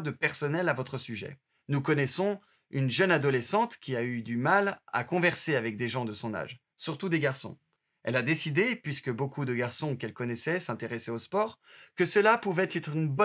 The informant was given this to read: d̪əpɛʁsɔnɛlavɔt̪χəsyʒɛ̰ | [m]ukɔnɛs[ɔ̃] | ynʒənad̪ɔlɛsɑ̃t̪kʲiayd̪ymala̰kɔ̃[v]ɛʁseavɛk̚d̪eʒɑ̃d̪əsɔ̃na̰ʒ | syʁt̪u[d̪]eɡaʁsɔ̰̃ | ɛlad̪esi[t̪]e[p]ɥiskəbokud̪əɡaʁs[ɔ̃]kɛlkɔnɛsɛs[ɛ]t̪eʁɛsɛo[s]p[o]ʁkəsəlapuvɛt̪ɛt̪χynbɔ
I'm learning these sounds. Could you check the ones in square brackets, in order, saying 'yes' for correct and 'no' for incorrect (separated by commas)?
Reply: no, yes, yes, yes, no, yes, yes, no, yes, no